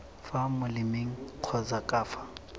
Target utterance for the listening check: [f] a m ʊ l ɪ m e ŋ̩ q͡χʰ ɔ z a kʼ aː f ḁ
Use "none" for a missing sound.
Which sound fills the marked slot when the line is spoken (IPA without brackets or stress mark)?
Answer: f